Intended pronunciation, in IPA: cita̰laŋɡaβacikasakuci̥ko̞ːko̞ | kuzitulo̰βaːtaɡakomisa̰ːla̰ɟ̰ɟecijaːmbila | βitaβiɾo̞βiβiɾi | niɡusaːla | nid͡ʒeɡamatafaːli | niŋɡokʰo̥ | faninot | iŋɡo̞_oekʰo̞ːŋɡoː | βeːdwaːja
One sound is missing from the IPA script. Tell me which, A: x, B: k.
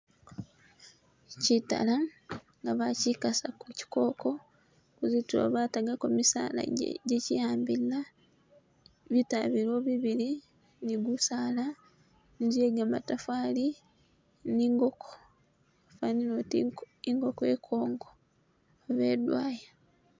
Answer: B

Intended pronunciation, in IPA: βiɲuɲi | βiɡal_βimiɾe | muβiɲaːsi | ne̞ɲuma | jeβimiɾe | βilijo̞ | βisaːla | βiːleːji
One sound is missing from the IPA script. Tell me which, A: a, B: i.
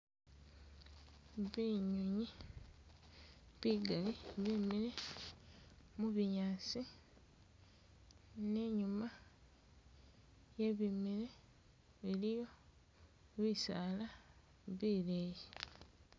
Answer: B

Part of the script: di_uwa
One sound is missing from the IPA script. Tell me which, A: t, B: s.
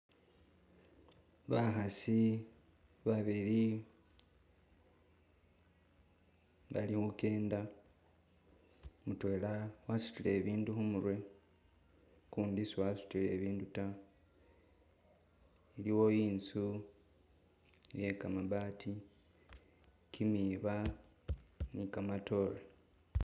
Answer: B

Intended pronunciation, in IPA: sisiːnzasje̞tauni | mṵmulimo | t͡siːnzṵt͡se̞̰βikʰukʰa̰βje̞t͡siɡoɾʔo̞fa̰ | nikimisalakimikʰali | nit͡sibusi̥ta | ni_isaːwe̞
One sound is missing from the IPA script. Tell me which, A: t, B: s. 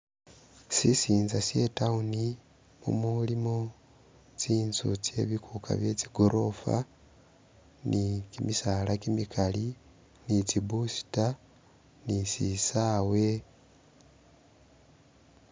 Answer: B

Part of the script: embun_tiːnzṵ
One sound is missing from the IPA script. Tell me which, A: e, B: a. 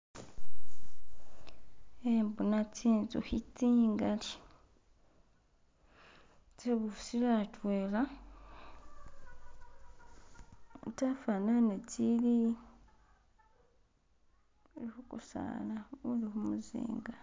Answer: B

